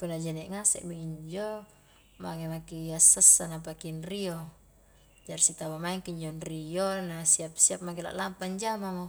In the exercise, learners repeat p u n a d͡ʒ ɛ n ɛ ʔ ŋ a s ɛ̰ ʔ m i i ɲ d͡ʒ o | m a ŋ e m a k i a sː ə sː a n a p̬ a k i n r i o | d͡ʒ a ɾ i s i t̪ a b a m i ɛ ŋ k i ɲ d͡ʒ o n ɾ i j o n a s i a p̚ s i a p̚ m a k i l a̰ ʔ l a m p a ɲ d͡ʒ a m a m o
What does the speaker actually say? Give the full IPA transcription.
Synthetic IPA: p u n a d͡ʒ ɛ n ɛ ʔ ŋ a s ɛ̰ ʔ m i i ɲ d͡ʒ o | m a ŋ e m a k i a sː ə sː a n a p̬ a k i n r i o | d͡ʒ a ɾ i s i t̪ a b a m a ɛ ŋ k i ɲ d͡ʒ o n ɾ i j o n a s i a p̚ s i a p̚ m a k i l a̰ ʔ l a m p a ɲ d͡ʒ a m a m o